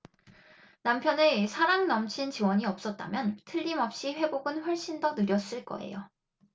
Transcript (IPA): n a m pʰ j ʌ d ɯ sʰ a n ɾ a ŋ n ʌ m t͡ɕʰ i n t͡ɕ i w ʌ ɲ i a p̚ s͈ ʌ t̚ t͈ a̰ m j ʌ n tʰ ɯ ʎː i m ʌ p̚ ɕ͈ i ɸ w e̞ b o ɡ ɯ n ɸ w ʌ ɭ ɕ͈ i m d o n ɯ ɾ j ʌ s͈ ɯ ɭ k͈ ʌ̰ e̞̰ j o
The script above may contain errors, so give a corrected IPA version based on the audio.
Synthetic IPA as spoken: n a m pʰ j ʌ n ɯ sʰ a ɾ a ŋ n ʌ m t͡ɕʰ i n t͡ɕ i w ʌ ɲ i ʌ p̚ s͈ ʌ t̚ t͈ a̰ m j ʌ n tʰ ɯ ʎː i m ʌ p̚ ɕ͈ i ɸ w e̞ b o ɡ ɯ n ɸ w ʌ ɭ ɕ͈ i n d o n ɯ ɾ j ʌ s͈ ɯ ɭ k͈ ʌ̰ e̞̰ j o